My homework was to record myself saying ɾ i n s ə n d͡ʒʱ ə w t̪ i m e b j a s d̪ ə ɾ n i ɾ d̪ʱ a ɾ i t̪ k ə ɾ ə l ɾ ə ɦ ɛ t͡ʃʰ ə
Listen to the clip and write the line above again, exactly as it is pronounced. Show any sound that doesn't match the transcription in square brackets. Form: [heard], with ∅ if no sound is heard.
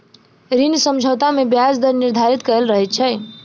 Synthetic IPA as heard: ɾ i n s ə [m] d͡ʒʱ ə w t̪ [a] m e b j a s d̪ ə ɾ n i ɾ d̪ʱ a ɾ i t̪ k ə ɾ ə l ɾ ə ɦ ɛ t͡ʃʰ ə